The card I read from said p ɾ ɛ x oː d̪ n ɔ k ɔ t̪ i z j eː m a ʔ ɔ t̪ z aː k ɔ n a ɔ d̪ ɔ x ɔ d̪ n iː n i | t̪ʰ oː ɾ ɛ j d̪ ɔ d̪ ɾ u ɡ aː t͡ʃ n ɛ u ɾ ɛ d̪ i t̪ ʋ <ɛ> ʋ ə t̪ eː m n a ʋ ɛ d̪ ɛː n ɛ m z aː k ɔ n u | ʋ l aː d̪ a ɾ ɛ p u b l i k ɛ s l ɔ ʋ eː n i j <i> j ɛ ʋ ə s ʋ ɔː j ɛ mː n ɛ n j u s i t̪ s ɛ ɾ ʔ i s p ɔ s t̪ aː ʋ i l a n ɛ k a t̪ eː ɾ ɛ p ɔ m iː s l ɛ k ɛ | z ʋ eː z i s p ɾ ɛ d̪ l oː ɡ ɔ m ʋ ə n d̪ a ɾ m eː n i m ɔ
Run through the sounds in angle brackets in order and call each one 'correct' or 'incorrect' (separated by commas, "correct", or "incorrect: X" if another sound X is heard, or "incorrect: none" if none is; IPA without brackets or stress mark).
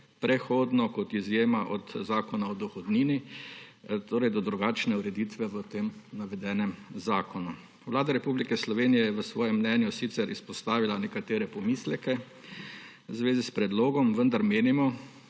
correct, incorrect: ɛ